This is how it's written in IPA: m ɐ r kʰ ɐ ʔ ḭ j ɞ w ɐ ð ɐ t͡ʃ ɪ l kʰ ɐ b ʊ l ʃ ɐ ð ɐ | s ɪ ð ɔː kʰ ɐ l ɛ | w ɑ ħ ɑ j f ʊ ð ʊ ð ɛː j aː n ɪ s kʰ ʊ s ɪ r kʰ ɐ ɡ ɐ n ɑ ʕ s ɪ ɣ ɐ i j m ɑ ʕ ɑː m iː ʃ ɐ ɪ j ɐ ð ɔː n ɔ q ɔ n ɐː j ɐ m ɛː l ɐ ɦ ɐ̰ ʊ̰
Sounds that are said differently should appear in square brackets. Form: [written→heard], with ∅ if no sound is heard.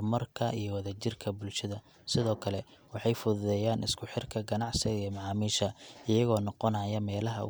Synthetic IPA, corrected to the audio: m ɐ r kʰ ɐ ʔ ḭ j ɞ w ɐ ð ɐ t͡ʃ ɪ [l→r] kʰ ɐ b ʊ l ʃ ɐ ð ɐ | s ɪ ð ɔː kʰ ɐ l ɛ | w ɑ ħ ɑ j f ʊ ð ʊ ð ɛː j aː n ɪ s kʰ ʊ [s→ħ] ɪ r kʰ ɐ ɡ ɐ n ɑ ʕ s ɪ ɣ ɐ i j m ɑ ʕ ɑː m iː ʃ ɐ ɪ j ɐ [ð→ɣ] ɔː n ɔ q ɔ n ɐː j ɐ m ɛː l ɐ ɦ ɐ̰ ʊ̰